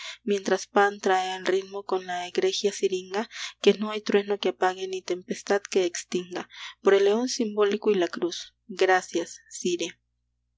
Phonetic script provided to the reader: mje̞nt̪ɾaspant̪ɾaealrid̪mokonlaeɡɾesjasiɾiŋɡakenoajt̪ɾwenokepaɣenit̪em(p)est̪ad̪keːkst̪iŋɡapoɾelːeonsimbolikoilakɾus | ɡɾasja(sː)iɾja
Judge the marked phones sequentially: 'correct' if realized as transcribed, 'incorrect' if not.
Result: correct, correct

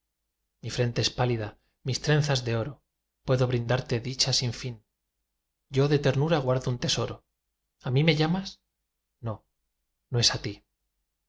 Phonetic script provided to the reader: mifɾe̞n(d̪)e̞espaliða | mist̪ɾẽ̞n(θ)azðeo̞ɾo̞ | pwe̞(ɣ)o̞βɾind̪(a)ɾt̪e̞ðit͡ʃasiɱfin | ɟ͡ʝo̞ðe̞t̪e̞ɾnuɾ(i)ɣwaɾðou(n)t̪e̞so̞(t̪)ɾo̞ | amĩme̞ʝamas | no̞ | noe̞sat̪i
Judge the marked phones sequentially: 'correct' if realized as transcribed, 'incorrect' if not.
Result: incorrect: t̪, correct, incorrect: ð, correct, incorrect: a, correct, incorrect: none

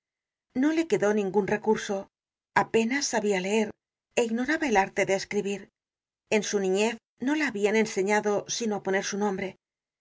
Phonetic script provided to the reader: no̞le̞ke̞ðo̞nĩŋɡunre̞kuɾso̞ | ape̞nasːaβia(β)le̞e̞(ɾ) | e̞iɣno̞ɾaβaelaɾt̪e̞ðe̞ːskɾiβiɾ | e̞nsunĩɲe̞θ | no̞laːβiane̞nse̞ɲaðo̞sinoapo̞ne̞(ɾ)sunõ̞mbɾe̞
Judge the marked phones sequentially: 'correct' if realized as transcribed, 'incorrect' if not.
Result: incorrect: none, correct, correct

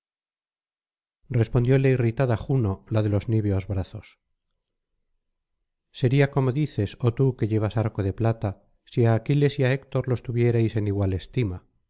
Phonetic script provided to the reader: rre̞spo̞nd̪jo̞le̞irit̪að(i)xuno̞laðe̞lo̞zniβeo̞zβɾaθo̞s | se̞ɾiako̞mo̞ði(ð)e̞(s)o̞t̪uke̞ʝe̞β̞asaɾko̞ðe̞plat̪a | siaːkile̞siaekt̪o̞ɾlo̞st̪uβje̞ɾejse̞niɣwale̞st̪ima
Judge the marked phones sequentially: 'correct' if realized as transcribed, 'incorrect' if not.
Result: incorrect: a, incorrect: θ, correct

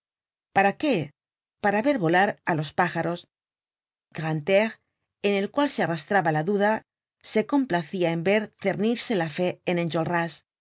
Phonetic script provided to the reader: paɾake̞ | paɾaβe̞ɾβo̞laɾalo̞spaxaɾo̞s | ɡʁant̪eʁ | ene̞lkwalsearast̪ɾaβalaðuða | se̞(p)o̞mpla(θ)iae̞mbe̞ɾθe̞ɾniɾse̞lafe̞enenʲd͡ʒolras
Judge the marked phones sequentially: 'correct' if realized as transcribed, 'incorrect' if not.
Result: incorrect: k, correct

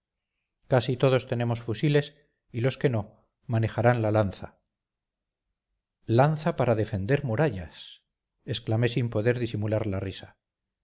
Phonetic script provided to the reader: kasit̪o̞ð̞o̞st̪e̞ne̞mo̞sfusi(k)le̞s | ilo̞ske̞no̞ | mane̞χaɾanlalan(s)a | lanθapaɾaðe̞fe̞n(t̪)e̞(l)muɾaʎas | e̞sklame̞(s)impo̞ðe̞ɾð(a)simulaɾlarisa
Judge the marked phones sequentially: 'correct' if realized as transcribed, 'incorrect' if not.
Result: incorrect: none, incorrect: θ, incorrect: d̪, incorrect: ɾ, correct, incorrect: i

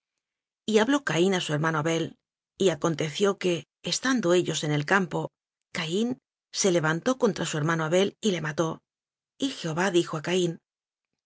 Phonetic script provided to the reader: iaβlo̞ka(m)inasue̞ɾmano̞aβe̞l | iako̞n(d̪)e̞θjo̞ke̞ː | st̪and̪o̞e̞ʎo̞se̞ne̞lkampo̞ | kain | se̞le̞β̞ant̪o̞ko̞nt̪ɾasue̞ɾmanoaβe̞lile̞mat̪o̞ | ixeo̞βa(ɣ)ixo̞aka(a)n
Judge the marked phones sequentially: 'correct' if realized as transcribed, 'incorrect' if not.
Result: incorrect: none, incorrect: t̪, incorrect: ð, incorrect: i

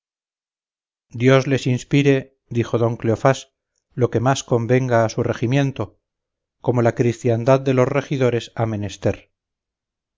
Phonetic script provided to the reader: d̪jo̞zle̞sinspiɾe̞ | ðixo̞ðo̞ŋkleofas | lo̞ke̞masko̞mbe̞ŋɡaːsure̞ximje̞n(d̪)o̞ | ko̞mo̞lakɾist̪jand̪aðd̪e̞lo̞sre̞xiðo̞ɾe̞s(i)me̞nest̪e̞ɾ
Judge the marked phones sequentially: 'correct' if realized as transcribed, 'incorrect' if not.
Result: incorrect: t̪, incorrect: a

